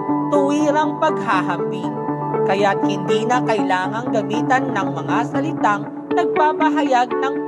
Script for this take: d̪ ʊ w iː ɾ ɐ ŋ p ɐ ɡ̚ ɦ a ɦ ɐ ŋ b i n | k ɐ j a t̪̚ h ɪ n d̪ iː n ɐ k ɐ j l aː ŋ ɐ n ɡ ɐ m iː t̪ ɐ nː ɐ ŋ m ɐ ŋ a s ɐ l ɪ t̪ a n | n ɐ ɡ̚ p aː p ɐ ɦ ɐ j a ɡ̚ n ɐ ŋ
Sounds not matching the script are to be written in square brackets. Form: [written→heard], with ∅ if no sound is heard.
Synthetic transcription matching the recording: [d̪→t̪] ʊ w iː ɾ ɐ ŋ p ɐ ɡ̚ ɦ a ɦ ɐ [ŋ→m] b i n | k ɐ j a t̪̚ h ɪ n d̪ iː n ɐ k ɐ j l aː ŋ ɐ [n→ŋ] ɡ ɐ m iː t̪ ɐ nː ɐ ŋ m ɐ ŋ a s ɐ l ɪ t̪ a [n→ŋ] | n ɐ ɡ̚ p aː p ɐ ɦ ɐ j a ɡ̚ n ɐ ŋ